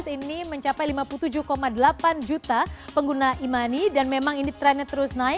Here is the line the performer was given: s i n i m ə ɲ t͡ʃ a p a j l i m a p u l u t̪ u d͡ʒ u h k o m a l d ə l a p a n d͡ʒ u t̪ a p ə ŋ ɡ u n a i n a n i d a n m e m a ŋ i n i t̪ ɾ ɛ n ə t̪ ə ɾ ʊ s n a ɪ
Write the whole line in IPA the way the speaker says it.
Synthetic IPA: s i n i m ə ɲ t͡ʃ a p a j l i m a p u l u t̪ u d͡ʒ u h k o m a d ə l a p a n d͡ʒ u t̪ a p ə ŋ ɡ u n a i m a n i d a n m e m a ŋ i n i t̪ ɾ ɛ n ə t̪ ə ɾ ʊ s n a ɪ